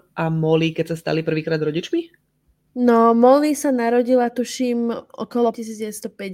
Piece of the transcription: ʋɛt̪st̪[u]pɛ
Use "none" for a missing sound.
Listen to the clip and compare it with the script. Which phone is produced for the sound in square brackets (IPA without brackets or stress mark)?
ɔ